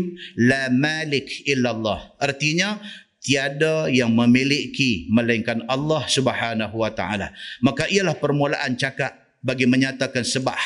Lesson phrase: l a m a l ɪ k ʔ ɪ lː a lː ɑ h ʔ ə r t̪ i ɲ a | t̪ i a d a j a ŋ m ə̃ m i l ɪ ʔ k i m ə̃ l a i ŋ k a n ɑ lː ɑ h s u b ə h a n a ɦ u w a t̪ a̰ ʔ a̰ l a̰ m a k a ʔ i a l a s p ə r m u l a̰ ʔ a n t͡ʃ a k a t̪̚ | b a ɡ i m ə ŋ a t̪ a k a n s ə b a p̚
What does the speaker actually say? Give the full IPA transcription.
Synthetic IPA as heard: l a m a l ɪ k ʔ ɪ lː a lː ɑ h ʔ ə r t̪ i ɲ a | t̪ i a d a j a ŋ m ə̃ m i l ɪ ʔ k i m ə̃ l a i ŋ k a n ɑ lː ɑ h s u b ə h a n a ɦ u w a t̪ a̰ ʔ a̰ l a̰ m a k a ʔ i a l a h p ə r m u l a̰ ʔ a n t͡ʃ a k a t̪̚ | b a ɡ i m ə ɲ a t̪ a k a n s ə b a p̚